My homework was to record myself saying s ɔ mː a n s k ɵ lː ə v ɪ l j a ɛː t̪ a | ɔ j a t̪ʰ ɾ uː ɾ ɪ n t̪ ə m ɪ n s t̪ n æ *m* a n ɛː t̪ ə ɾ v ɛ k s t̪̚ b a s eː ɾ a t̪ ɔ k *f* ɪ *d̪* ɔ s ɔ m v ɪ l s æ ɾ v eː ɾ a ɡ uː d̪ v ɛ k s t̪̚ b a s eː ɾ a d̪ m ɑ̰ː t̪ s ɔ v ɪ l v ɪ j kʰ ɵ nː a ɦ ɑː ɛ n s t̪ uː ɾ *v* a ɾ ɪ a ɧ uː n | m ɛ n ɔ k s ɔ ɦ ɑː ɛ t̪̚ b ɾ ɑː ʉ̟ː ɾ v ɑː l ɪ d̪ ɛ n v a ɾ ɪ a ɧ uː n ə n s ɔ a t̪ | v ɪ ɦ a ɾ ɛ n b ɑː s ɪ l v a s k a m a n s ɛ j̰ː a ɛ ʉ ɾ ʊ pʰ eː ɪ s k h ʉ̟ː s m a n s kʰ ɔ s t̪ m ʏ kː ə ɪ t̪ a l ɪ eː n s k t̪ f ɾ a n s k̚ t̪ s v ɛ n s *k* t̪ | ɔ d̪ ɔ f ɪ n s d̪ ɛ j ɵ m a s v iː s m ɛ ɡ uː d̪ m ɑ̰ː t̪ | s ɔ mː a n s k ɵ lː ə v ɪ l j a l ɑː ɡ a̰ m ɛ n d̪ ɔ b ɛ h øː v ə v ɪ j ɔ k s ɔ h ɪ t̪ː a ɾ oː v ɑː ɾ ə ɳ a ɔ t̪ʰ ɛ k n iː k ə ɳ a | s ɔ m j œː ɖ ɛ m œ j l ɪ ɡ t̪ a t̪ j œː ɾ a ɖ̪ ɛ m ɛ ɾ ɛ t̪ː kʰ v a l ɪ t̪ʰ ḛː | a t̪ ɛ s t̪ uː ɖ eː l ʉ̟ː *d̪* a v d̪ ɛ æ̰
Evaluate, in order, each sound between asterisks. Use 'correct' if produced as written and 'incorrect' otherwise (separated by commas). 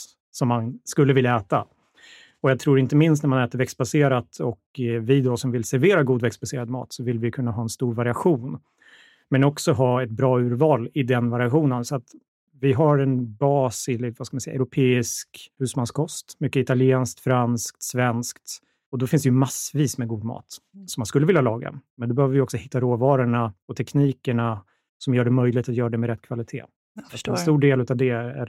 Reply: correct, incorrect, correct, correct, correct, incorrect